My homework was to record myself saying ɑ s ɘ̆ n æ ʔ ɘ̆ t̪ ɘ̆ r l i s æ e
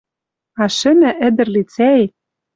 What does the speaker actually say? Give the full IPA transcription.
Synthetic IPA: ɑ ʃ ɘ̆ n æ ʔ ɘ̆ d̪ ɘ̆ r l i t͡s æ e